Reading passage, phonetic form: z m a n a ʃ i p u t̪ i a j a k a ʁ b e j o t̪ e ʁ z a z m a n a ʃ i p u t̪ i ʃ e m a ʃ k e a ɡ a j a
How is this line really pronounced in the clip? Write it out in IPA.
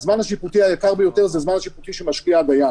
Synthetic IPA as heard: z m a n a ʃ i p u t̪ i a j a k a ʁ b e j o t̪ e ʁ z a z m a n a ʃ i p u t̪ i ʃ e m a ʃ k i a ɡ a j a